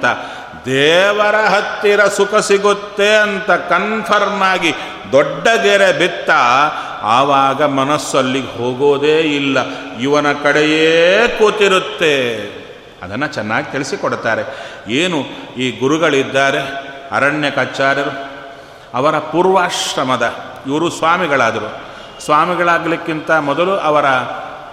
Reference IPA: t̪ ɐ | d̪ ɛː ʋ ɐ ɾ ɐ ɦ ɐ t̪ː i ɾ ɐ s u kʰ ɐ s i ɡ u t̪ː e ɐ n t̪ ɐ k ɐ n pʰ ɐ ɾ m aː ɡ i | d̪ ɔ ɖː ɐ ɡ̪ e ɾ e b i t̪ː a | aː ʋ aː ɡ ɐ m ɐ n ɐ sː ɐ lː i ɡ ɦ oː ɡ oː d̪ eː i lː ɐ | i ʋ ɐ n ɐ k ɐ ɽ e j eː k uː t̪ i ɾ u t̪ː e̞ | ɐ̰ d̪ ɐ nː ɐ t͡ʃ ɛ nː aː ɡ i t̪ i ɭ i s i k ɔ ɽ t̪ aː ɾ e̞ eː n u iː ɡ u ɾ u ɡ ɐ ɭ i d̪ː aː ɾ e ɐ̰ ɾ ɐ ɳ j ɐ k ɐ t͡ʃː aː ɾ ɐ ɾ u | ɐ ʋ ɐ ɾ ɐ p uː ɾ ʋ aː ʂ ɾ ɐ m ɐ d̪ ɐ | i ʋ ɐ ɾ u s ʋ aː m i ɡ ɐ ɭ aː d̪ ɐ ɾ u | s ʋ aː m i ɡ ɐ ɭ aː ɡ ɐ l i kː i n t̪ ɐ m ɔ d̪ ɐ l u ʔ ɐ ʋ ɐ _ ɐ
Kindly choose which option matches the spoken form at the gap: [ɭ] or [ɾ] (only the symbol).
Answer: ɾ